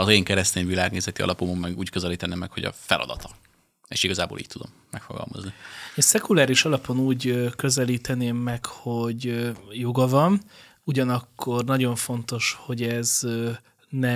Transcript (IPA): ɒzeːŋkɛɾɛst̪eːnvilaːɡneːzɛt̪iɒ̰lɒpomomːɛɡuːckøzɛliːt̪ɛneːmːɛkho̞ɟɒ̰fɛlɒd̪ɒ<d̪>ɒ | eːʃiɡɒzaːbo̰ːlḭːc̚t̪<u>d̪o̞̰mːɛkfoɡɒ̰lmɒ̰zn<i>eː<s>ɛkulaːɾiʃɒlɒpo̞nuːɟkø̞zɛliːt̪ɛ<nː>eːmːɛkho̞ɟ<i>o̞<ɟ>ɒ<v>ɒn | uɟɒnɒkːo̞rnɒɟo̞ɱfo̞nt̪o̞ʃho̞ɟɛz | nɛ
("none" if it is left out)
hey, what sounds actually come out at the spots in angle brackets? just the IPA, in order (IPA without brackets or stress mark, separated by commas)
t̪, u, i, s, n, j, ɡ, v